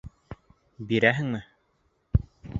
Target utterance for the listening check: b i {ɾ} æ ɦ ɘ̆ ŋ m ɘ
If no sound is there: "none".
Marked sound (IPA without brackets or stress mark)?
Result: ɾ